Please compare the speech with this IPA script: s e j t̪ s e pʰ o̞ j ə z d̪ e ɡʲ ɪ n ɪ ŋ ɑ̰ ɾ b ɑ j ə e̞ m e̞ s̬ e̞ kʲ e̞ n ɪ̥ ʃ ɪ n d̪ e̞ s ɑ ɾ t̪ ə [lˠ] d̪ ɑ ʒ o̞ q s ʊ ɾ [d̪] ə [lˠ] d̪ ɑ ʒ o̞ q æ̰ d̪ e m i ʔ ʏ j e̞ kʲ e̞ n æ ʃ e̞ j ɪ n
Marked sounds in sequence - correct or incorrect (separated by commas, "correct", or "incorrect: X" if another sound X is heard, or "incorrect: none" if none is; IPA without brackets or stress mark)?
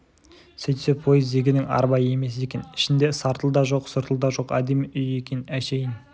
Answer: correct, incorrect: t̪, correct